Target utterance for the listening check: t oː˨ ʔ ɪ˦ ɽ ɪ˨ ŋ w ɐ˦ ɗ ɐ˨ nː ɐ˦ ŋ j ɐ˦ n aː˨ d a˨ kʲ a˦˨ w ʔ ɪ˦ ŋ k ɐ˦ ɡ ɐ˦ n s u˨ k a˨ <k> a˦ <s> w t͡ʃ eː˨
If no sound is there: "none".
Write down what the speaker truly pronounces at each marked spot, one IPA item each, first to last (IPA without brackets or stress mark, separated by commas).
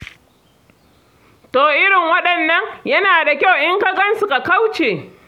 k, none